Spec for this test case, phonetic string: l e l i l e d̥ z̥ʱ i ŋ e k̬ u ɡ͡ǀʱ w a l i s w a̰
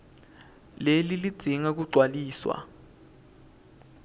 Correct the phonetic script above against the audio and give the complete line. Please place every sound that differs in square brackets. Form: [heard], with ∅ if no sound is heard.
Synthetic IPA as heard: l e l i l [i] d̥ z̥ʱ i ŋ [a] k̬ u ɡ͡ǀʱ w a l [iː] s w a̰